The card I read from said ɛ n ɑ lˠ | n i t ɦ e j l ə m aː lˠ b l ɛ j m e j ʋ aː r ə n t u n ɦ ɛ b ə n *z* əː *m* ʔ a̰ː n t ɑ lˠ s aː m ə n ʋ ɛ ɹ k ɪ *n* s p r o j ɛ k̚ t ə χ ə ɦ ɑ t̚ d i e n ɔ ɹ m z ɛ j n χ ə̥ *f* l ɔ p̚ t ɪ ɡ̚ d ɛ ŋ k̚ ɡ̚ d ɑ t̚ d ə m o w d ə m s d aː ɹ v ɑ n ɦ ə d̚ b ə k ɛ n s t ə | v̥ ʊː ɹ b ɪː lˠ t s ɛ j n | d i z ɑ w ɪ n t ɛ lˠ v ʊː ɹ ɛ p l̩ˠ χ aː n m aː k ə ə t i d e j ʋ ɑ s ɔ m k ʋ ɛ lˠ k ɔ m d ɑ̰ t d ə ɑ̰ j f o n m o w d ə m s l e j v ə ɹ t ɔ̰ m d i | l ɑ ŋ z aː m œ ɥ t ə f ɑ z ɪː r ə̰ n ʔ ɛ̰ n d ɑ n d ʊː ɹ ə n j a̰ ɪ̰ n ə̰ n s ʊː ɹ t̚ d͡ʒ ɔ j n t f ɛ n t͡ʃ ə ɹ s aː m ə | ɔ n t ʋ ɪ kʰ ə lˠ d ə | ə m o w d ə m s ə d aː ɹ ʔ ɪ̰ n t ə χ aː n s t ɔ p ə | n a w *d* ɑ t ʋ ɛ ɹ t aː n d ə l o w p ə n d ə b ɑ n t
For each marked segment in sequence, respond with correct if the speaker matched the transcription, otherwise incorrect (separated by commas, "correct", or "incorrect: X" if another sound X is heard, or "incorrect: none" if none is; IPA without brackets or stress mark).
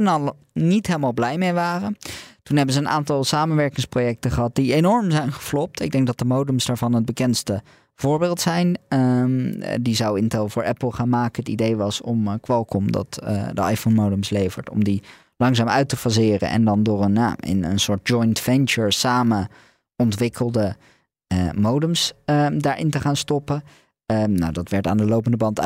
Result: correct, incorrect: n, incorrect: ŋ, correct, correct